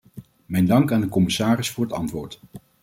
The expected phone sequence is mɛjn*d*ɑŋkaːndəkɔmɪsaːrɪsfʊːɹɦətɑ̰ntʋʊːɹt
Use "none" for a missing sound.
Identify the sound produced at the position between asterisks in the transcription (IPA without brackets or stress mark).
d